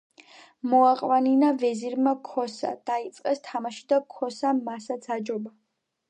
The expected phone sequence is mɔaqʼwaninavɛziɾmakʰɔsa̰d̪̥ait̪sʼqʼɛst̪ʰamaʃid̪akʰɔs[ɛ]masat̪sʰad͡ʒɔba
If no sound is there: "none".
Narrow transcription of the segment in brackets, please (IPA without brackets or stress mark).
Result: a